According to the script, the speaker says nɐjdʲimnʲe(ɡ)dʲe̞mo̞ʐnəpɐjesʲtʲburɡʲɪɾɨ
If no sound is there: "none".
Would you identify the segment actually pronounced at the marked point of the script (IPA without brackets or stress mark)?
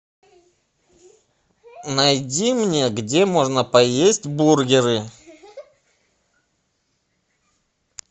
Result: ɡ